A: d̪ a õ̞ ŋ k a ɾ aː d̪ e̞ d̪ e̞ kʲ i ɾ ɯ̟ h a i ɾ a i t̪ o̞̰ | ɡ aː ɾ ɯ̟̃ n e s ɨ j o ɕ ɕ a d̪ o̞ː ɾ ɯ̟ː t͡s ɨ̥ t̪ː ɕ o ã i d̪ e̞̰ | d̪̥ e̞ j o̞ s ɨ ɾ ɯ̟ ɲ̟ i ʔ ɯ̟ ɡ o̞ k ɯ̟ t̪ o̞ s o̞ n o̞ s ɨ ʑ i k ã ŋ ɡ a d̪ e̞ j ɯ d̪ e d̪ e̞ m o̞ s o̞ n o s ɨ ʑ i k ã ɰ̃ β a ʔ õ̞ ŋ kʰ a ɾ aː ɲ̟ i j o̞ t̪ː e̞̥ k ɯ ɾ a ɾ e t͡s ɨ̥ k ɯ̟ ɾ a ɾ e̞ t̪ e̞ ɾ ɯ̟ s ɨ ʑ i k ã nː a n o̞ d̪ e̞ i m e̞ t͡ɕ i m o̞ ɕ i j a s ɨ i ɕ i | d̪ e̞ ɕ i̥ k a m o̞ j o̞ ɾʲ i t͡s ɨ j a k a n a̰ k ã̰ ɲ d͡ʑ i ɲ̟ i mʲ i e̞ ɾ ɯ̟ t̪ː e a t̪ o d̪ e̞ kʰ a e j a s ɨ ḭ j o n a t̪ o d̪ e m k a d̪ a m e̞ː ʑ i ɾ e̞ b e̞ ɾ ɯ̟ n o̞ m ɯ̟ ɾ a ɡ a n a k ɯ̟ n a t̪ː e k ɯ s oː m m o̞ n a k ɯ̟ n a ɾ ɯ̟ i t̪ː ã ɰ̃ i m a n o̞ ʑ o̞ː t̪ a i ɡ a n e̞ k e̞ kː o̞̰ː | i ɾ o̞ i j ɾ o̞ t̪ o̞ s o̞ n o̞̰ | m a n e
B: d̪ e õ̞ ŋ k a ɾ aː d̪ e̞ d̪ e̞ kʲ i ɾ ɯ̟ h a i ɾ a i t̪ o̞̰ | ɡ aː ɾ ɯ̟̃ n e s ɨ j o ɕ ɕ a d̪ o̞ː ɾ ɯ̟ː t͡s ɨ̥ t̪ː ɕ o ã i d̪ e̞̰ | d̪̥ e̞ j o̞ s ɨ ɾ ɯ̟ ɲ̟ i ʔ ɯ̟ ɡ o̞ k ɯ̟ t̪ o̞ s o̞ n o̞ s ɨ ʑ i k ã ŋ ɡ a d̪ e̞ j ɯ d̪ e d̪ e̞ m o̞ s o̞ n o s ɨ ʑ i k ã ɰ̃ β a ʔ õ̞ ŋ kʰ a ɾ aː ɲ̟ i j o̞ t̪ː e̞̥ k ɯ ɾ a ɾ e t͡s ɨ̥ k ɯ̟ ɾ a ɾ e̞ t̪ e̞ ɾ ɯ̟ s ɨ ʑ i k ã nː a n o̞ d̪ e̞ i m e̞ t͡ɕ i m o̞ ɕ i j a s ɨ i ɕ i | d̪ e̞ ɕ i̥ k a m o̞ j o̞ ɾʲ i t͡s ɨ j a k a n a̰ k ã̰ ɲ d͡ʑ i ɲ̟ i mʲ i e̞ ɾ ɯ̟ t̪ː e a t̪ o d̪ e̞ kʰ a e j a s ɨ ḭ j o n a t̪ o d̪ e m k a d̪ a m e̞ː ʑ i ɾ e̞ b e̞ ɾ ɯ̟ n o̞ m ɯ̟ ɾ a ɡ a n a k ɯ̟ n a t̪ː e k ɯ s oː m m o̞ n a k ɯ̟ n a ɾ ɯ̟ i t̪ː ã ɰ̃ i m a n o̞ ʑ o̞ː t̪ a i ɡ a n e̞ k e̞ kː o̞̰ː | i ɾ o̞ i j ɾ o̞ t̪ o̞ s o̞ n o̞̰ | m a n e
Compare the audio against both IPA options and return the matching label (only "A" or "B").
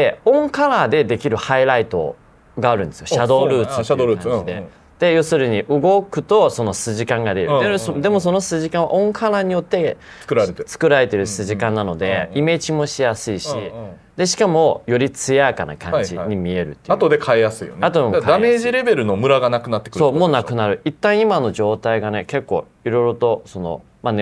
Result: B